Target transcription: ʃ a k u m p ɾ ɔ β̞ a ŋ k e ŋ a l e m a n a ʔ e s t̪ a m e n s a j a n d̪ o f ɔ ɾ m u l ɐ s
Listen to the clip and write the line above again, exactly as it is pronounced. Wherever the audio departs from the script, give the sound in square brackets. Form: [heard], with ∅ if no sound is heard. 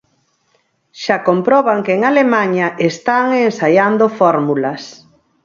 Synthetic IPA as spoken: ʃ a k [o] m p ɾ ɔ β̞ a ŋ k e ŋ a l e m a [ɲ] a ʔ e s t̪ a [ŋ] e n s a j a n d̪ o f ɔ ɾ m u l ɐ s